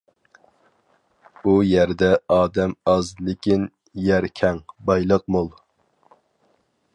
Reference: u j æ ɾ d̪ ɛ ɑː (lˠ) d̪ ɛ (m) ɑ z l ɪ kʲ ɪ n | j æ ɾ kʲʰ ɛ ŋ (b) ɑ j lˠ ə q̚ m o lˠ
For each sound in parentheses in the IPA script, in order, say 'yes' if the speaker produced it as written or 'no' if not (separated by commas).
no, yes, yes